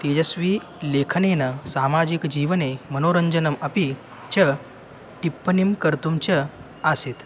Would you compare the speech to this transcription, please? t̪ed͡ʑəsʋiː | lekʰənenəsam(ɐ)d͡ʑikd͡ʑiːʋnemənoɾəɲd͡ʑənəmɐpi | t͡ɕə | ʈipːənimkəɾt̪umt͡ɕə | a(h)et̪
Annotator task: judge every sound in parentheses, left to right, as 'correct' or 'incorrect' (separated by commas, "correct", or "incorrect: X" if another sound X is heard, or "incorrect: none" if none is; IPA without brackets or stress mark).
incorrect: a, incorrect: s